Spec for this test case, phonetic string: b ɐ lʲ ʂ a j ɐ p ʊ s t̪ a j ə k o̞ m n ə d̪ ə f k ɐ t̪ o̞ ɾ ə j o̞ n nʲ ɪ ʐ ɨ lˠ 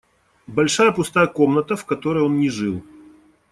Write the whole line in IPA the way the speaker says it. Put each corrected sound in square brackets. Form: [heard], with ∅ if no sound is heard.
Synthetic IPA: b ɐ lʲ ʂ a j [ə] p ʊ s t̪ a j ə k o̞ m n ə [t̪] ə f k ɐ t̪ o̞ ɾ ə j o̞ n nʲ ɪ ʐ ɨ lˠ